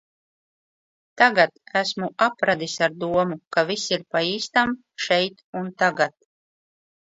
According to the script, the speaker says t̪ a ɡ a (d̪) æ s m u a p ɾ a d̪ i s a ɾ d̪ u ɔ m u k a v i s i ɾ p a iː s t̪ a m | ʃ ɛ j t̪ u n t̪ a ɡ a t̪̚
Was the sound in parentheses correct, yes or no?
no